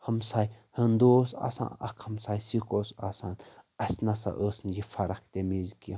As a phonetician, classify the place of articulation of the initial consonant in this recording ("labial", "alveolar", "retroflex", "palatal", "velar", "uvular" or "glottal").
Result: glottal